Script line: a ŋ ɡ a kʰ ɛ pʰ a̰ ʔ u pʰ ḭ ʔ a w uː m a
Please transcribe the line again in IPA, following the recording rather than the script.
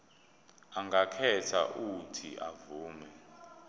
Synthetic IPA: a ŋ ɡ a kʰ ɛ tʰ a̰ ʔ u tʰ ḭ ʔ a v uː m ɛ